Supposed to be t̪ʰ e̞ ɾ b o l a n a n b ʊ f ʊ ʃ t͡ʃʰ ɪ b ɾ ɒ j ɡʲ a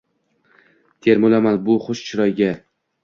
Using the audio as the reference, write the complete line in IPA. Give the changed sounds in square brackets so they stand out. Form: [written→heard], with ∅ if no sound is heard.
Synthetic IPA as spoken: t̪ʰ e̞ ɾ [b→m] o l a [n→m] a n b ʊ [f→χ] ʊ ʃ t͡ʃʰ ɪ [b→∅] ɾ ɒ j ɡʲ a